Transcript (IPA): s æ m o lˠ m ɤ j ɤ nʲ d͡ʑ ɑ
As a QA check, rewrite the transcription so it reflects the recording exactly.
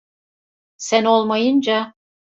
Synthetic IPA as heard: s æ n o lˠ m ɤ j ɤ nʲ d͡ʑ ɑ

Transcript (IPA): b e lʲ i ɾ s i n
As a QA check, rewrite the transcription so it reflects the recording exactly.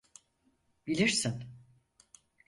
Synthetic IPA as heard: b i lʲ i ɾ s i n

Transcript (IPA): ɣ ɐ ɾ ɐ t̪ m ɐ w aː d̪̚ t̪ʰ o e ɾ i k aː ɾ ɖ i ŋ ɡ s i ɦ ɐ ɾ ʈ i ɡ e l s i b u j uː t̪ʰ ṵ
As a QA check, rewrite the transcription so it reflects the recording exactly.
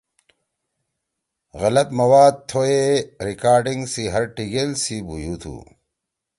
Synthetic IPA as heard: ɣ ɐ l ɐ t̪ m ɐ w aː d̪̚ t̪ʰ o e ɾ i k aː ɾ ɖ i ŋ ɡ s i ɦ ɐ ɾ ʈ i ɡ e l s i b u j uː t̪ʰ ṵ

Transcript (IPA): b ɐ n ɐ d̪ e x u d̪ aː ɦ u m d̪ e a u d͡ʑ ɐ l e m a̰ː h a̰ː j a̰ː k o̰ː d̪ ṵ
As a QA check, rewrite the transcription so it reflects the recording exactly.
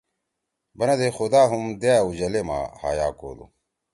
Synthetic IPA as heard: b ɐ n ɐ d̪ e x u d̪ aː ɦ u m d̪ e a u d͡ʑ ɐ l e m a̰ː h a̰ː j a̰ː k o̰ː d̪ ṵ

